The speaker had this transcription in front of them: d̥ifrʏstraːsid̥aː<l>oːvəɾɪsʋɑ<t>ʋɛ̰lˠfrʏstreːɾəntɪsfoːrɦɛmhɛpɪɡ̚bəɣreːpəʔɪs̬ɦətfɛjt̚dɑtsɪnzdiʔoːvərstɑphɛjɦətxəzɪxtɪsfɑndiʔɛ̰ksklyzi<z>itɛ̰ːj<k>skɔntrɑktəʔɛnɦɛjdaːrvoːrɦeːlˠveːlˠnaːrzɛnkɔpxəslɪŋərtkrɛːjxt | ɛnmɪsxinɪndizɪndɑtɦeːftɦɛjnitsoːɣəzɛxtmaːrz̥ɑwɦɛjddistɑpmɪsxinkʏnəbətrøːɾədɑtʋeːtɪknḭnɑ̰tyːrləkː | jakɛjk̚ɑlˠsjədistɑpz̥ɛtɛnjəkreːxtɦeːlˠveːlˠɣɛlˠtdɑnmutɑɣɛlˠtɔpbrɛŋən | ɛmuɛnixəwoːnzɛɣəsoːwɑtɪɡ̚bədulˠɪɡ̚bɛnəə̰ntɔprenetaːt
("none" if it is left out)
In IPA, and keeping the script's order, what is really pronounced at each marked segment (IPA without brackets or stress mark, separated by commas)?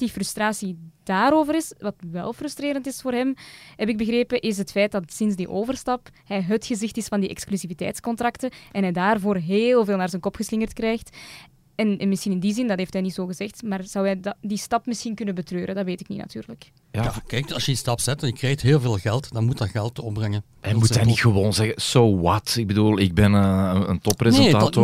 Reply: ɾ, t, v, t